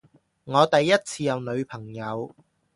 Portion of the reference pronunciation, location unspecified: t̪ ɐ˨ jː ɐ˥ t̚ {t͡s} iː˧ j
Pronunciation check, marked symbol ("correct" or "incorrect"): incorrect